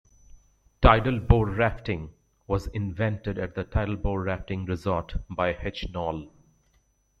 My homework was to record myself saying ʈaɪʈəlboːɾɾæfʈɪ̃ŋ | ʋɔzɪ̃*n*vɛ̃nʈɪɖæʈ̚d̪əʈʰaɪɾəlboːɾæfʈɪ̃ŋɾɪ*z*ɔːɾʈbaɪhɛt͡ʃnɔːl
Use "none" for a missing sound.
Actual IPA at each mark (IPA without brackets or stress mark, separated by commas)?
n, z